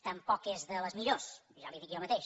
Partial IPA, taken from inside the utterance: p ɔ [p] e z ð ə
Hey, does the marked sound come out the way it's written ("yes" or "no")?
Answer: no